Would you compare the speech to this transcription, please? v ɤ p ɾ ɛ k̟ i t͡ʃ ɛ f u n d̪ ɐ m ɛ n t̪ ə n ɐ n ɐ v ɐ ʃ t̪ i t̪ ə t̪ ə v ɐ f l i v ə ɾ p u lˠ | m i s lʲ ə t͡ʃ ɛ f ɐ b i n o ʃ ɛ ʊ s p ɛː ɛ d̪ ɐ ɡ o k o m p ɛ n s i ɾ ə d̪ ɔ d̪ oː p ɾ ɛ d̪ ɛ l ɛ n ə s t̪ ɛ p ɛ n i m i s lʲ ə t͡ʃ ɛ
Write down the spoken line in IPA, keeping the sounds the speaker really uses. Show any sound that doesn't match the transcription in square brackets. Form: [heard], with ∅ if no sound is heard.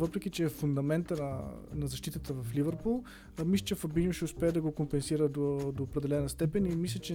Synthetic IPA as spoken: v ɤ p ɾ ɛ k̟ i t͡ʃ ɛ f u n d̪ ɐ m ɛ n t̪ ə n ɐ n ɐ [z] ɐ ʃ t̪ i t̪ ə t̪ ə v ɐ f l i v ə ɾ p u lˠ | m i s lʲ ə t͡ʃ ɛ f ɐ b i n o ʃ ɛ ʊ s p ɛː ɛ d̪ ɐ ɡ o k o m p ɛ n s i ɾ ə d̪ [o] d̪ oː p ɾ ɛ d̪ ɛ l ɛ n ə s t̪ ɛ p ɛ n i m i s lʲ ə t͡ʃ ɛ